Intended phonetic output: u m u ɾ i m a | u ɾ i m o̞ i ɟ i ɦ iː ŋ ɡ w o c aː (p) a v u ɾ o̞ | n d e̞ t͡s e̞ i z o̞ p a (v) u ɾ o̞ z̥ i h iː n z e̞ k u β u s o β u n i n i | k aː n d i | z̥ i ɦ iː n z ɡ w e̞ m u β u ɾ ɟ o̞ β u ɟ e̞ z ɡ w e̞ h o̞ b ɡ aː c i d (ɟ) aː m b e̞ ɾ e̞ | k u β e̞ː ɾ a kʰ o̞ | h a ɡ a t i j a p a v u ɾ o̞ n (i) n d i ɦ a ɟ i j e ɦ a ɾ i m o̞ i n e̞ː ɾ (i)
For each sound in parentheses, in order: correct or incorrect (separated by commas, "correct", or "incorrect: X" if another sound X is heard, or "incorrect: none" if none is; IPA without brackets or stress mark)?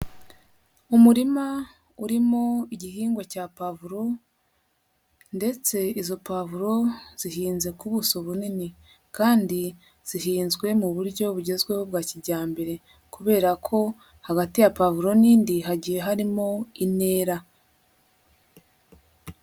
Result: correct, correct, correct, incorrect: iː, incorrect: a